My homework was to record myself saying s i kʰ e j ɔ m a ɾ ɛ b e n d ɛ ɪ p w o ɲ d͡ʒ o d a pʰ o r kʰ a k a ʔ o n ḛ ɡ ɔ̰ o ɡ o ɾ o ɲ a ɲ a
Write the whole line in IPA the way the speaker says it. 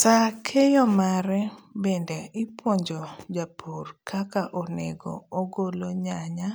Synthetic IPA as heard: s a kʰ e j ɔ m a ɾ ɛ b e n d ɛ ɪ p w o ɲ d͡ʒ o d͡ʒ a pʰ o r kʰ a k a ʔ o n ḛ ɡ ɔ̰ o ɡ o l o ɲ a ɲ a